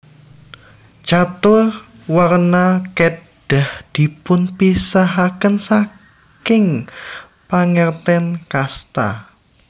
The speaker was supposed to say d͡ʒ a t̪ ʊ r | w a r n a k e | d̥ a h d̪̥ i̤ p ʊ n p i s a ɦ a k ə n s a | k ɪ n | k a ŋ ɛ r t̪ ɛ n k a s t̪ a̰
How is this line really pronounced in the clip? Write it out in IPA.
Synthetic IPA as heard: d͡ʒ a t̪ ʊ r | w a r n a k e | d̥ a h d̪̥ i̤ p ʊ n p i s a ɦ a k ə n s a | k ɪ ŋ | p a ŋ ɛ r t̪ ɛ n k a s t̪ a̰